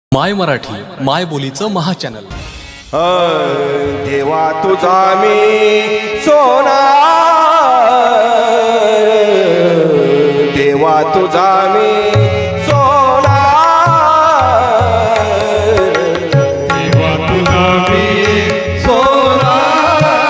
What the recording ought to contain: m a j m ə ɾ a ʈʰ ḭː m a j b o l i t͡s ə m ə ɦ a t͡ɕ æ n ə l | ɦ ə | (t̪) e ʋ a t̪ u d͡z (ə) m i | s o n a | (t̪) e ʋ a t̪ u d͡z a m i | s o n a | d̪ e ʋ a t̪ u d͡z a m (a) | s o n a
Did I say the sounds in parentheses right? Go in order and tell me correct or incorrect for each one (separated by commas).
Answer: incorrect, incorrect, incorrect, incorrect